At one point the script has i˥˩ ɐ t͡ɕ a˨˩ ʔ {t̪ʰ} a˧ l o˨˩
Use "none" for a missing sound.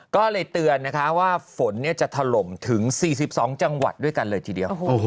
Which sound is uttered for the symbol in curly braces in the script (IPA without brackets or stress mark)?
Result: t̪ʰ